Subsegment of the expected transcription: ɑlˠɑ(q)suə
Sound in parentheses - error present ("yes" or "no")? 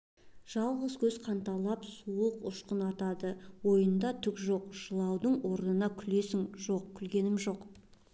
yes